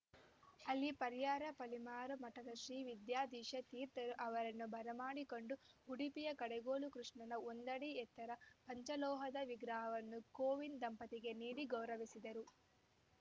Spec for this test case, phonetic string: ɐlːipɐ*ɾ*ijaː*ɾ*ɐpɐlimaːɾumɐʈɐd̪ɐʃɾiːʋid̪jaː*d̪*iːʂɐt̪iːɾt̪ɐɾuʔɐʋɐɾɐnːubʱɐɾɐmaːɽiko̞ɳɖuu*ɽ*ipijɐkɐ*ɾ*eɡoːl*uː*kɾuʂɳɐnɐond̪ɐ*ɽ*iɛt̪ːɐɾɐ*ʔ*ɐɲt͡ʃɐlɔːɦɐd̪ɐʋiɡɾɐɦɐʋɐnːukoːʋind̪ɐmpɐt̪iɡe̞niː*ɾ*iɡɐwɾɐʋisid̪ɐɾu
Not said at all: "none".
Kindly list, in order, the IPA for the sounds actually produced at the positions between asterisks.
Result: ɾ, ɾ, d̪, ɽ, ɽ, u, ɽ, p, ɽ

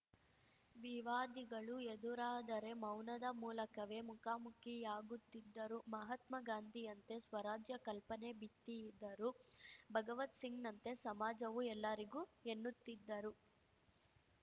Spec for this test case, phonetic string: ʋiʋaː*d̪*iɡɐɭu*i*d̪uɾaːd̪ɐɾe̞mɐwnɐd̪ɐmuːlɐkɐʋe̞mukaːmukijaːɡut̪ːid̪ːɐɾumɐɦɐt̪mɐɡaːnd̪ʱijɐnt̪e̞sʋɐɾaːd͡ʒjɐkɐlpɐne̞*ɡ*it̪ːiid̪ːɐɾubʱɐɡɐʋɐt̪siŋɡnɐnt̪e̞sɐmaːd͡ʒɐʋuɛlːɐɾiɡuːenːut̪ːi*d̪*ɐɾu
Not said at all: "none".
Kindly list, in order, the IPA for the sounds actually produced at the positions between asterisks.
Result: d̪, e, b, d̪ː

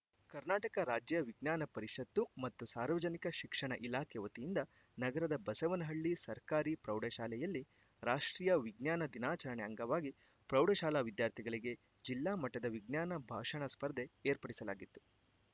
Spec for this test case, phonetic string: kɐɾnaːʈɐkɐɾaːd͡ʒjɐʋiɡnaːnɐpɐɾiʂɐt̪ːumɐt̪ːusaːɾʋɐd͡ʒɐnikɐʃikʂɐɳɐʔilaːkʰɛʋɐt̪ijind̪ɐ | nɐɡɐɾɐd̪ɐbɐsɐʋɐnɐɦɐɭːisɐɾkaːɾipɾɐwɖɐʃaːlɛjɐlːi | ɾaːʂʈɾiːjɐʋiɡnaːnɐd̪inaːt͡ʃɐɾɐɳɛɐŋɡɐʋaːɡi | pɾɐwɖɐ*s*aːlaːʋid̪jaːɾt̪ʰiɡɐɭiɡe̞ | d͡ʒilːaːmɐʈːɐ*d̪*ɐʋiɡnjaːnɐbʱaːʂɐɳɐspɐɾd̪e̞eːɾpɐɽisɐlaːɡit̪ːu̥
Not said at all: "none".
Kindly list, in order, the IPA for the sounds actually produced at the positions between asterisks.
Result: ʃ, d̪

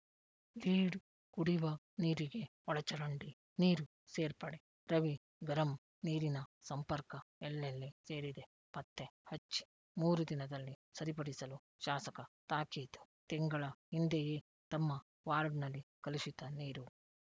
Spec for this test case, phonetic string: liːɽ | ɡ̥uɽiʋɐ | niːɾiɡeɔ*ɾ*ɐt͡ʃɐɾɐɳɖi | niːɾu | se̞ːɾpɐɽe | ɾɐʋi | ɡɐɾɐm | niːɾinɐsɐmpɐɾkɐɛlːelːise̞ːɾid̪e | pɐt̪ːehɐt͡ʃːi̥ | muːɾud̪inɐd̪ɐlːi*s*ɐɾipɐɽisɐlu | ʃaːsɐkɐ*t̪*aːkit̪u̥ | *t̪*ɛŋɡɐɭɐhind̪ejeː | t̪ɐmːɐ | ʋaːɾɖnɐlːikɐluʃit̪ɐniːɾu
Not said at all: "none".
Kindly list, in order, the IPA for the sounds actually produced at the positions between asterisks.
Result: ɭ, s, t̪, t̪

